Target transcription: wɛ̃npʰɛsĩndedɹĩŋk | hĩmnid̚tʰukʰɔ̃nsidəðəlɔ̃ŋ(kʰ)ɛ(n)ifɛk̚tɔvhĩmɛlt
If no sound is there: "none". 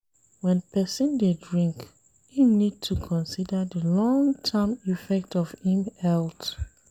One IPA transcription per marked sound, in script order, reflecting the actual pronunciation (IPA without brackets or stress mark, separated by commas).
tʰ, m